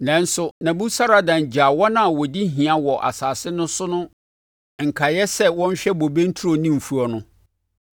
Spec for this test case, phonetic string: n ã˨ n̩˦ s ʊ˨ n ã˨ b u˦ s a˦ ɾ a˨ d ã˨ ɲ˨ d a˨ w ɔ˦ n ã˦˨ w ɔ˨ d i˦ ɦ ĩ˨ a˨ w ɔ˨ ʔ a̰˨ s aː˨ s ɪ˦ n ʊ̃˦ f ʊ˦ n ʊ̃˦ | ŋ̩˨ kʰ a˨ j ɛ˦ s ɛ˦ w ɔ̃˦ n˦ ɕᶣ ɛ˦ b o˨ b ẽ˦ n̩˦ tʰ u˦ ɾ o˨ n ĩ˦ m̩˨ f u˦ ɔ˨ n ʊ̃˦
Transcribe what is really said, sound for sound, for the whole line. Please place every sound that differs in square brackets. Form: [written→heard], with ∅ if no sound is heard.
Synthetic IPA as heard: n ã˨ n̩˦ s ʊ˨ n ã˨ b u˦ s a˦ ɾ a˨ d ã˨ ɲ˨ [d→d͡ʑ] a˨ w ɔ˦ n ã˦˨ w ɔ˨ d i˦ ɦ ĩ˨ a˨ w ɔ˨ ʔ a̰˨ s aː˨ s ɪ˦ n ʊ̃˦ [f→s] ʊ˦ n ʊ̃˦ | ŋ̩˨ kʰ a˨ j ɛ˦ s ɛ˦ w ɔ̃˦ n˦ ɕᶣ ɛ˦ b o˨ b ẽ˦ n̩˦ tʰ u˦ ɾ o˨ n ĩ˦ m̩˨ f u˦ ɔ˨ n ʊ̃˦

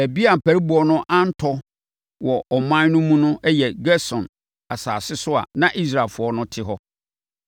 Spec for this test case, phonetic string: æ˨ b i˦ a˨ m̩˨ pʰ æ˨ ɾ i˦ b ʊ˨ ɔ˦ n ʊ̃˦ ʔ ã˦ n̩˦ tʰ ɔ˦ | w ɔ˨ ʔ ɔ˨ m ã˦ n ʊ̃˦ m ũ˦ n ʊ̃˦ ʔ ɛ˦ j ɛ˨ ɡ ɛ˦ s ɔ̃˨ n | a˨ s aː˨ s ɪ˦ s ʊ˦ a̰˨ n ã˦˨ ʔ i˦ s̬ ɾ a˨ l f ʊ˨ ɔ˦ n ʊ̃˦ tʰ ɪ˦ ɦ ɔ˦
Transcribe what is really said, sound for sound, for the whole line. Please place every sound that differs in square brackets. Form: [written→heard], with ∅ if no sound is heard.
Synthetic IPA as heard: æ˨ b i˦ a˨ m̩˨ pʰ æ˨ ɾ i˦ b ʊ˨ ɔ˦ n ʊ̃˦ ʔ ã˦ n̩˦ tʰ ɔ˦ | w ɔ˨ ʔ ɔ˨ m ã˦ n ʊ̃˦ m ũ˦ n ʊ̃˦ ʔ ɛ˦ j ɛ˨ ɡ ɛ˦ s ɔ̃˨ n | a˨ s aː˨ s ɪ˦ s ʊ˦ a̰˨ n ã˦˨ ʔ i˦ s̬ ɾ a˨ l f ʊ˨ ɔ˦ n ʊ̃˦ tʰ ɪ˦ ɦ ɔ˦

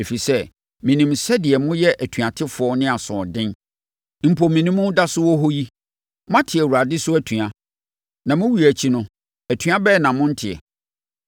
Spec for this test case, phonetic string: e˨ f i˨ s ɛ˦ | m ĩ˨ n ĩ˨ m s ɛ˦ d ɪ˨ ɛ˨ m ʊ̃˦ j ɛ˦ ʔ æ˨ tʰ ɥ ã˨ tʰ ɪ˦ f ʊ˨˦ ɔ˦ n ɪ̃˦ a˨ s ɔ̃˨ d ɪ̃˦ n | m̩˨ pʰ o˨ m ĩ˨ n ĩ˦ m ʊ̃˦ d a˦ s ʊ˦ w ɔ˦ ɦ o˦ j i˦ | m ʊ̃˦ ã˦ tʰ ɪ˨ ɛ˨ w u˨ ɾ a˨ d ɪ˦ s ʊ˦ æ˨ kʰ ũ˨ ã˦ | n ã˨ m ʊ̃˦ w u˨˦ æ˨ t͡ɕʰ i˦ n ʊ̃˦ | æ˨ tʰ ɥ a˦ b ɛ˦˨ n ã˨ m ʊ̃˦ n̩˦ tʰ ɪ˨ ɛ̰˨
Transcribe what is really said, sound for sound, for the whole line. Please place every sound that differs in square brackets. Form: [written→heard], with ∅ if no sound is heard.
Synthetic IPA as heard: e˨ f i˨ s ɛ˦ | m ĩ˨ n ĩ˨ m s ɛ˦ d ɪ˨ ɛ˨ m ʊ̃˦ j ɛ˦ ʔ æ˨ tʰ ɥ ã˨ tʰ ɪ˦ f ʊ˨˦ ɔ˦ n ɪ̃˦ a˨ s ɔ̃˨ d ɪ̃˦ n | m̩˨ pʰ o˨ m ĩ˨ n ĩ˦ m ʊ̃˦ d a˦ s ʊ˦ w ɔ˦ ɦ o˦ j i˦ | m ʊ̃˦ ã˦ tʰ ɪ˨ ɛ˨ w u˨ ɾ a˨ d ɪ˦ s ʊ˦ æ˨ [kʰ→tʰ] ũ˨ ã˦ | n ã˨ m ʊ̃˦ w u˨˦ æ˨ t͡ɕʰ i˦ n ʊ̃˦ | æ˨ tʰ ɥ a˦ b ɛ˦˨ n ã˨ m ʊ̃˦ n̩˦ tʰ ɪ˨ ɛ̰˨

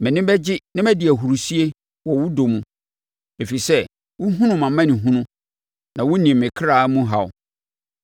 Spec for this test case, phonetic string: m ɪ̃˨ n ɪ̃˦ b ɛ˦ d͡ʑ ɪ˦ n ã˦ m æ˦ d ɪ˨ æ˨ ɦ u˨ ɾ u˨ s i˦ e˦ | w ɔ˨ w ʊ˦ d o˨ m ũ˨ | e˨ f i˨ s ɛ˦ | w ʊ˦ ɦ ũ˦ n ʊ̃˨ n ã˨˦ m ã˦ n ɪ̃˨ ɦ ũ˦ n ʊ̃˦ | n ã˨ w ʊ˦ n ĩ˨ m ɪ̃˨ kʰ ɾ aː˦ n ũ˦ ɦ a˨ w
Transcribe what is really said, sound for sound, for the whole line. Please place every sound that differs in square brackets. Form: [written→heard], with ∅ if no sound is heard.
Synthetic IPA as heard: m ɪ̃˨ n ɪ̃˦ b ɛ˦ d͡ʑ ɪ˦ n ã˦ m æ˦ d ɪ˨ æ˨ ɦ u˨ ɾ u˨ s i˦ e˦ | w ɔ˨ w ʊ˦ d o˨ m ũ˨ | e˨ f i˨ s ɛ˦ | w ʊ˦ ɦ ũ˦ n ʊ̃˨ [n→m] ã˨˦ m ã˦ n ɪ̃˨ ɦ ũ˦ n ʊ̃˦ | n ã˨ w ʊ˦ n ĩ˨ m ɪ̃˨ kʰ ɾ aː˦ [n→m] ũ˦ ɦ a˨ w

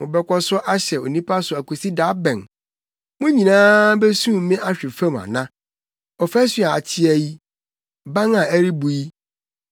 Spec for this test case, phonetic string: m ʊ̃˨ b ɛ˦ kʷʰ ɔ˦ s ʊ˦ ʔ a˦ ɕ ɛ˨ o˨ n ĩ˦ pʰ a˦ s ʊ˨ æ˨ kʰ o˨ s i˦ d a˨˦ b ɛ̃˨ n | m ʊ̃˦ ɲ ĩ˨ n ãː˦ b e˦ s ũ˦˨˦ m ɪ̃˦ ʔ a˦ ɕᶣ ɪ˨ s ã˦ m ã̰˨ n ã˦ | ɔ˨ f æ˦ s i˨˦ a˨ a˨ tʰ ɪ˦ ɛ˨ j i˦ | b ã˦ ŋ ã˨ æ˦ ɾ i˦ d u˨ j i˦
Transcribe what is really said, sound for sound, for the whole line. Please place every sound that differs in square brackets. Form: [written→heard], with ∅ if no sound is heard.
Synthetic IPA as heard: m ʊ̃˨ b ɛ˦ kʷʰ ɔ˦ s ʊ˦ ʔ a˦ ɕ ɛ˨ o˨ n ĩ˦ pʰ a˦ s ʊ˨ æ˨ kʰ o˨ s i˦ d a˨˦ b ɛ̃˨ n | m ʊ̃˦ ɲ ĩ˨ n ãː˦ b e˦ s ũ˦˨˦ m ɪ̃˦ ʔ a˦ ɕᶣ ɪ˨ [s→f] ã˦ m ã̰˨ n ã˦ | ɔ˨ f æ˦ s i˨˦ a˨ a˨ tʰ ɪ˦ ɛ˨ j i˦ | b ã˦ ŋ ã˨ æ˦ ɾ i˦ [d→b] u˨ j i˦

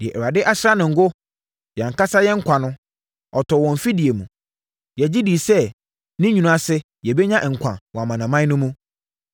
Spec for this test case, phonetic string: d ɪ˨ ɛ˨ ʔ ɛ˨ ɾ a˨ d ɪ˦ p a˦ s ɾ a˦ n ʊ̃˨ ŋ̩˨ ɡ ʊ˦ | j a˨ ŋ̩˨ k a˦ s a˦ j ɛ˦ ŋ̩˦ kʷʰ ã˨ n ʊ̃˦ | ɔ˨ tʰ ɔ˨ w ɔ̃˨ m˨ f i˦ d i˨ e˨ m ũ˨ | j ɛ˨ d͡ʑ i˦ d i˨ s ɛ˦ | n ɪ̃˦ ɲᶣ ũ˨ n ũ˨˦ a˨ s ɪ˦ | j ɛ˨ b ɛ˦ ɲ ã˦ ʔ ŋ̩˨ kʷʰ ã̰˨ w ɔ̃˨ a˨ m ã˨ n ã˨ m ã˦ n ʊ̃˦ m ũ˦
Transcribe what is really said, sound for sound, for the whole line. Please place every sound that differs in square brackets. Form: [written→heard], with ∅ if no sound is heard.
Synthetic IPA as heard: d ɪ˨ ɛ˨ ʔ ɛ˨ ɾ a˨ d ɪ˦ [p→ʔ] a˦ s ɾ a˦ n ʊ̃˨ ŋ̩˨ ɡ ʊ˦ | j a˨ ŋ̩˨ k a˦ s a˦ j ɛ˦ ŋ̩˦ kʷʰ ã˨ n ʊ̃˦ | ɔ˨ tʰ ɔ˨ w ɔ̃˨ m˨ f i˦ d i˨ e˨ m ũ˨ | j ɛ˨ d͡ʑ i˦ d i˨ s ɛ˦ | n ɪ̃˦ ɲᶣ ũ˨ n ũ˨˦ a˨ s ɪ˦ | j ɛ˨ b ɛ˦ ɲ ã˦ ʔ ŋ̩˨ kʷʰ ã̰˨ w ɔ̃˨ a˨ m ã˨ n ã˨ m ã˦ n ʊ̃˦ m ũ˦

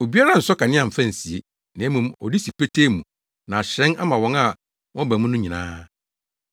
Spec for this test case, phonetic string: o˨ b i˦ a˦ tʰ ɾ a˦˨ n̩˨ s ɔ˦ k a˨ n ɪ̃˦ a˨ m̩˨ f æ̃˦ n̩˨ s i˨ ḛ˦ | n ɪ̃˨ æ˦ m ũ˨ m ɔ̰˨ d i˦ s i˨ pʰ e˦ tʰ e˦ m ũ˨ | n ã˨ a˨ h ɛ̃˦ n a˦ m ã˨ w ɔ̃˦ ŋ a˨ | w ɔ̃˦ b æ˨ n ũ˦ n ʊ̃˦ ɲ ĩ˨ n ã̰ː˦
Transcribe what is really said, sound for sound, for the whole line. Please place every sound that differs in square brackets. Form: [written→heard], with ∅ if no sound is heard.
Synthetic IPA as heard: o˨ b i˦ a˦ [tʰ→∅] ɾ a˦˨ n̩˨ s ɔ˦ k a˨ n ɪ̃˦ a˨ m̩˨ f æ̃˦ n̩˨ s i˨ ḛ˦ | n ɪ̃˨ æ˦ m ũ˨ m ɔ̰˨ d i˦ s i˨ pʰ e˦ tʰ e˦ m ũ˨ | n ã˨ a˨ [h→ɕ] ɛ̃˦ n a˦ m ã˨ w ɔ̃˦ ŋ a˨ | w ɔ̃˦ b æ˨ [n→m] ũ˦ n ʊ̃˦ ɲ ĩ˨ n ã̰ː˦

